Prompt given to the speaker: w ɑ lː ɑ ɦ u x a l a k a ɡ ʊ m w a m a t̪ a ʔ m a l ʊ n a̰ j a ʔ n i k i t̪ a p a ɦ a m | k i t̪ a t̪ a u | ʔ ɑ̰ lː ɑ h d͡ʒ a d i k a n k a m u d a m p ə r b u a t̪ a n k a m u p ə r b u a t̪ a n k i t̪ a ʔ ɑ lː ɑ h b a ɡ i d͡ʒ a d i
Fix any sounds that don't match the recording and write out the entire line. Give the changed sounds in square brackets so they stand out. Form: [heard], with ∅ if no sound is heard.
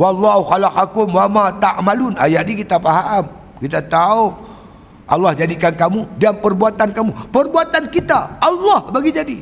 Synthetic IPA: w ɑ lː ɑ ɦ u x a l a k a [k] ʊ m w a m a t̪ a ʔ m a l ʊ n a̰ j a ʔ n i k i t̪ a p a ɦ a m | k i t̪ a t̪ a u | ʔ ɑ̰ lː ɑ h d͡ʒ a d i k a n k a m u d a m p ə r b u a t̪ a n k a m u p ə r b u a t̪ a n k i t̪ a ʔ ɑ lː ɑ h b a ɡ i d͡ʒ a d i